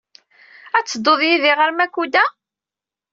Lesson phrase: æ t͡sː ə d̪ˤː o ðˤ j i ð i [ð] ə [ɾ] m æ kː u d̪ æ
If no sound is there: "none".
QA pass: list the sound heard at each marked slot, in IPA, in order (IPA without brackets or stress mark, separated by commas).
ʁ, ɾ